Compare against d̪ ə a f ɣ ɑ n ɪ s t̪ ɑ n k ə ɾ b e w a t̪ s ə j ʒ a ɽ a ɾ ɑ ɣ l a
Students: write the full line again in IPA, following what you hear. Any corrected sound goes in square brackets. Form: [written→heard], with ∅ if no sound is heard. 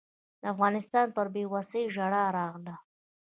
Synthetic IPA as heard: d̪ ə a f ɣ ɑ n ɪ s t̪ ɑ n [k→p] ə ɾ b e w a [t̪→∅] s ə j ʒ a ɽ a ɾ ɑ ɣ l a

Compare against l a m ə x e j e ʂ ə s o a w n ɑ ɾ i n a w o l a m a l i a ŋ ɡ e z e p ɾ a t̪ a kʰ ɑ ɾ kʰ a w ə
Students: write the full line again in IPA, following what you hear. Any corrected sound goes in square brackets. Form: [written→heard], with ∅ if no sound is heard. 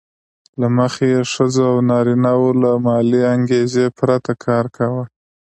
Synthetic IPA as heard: l a m ə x e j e ʂ ə [s→z] o a w n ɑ ɾ i n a w o l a m [a→ɑ] l i a ŋ ɡ e z e p ɾ a t̪ a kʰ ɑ ɾ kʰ a w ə

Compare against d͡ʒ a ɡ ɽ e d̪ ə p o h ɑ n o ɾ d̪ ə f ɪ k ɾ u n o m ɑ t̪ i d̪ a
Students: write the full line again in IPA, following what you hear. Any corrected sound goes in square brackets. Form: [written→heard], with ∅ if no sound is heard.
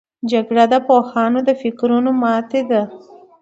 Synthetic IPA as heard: d͡ʒ a ɡ ɽ [e→a] d̪ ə p o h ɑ n o [ɾ→∅] d̪ ə f ɪ k ɾ u n o m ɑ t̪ [i→e] d̪ a

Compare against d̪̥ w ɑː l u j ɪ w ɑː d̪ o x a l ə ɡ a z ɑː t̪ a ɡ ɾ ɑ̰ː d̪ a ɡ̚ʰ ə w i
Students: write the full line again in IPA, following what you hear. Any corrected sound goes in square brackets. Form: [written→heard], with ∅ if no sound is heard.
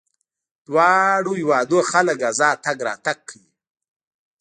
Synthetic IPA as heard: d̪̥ w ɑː [l→ɽ] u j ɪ w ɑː d̪ o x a l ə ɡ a z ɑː t̪ a ɡ ɾ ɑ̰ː [d̪→t̪] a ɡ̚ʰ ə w i

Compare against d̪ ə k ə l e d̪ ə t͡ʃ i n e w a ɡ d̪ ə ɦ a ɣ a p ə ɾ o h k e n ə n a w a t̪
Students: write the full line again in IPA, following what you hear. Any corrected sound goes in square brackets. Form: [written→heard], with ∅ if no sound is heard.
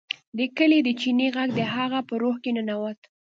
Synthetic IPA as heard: d̪ ə k ə l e d̪ ə t͡ʃ i n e [w→ɣ] a ɡ d̪ ə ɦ a ɣ a p ə ɾ o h k e n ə n a w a t̪

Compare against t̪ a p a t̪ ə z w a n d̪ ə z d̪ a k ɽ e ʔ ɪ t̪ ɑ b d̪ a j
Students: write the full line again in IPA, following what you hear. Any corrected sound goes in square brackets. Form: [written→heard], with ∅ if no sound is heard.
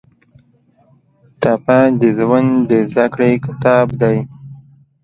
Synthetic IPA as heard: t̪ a p a [t̪→d̪] ə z w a n d̪ ə z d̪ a k ɽ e [ʔ→k] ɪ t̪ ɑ b d̪ a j

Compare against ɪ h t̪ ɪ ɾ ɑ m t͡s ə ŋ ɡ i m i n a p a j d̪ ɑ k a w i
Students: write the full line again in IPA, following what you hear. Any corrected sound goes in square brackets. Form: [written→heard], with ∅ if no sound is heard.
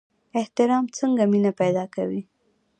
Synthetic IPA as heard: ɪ h t̪ ɪ ɾ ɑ m t͡s ə ŋ ɡ [i→a] m i n a p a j d̪ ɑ k a w i

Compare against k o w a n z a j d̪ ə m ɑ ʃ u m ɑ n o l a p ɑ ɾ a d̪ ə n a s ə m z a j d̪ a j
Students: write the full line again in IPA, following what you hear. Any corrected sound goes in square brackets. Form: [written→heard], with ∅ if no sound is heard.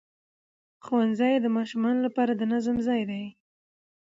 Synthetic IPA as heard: [k→x] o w a n z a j d̪ ə m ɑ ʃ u m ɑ n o l a p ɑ ɾ a d̪ ə n a [s→z] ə m z [a→ɑ] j d̪ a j

